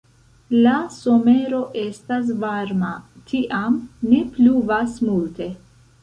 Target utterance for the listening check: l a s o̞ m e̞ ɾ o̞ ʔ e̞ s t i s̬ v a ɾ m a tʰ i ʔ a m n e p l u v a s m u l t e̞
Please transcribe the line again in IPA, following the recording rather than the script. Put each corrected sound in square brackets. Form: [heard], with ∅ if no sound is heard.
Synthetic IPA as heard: l a s o̞ m e̞ ɾ o̞ ʔ e̞ s t [a] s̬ v a ɾ m a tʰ i ʔ a m n e p l u v a s m u l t e̞